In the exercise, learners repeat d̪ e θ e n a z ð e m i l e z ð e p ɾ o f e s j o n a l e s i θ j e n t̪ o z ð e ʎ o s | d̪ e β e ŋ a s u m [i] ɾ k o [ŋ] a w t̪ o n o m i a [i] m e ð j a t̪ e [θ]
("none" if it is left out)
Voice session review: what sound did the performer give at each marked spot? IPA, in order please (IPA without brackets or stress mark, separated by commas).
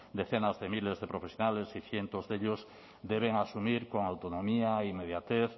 i, ŋ, i, θ